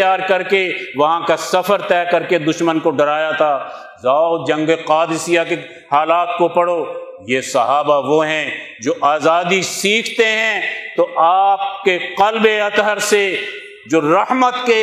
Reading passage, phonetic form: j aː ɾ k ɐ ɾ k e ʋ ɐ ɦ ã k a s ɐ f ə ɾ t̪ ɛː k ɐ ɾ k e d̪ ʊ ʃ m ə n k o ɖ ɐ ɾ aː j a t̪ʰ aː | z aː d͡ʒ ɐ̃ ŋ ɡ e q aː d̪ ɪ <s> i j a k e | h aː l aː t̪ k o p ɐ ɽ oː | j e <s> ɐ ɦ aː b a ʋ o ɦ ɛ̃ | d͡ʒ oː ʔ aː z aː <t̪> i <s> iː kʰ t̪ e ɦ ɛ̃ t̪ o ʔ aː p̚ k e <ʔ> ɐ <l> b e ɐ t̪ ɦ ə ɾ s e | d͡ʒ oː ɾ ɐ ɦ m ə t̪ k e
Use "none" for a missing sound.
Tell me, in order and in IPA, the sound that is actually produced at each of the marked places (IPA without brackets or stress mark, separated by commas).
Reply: s, s, d̪, s, q, l